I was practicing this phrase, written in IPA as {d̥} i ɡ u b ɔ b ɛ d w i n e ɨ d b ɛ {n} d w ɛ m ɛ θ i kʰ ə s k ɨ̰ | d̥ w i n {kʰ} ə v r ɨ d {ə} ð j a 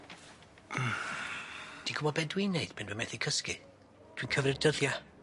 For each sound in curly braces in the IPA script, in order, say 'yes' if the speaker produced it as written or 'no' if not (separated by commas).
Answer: yes, yes, yes, yes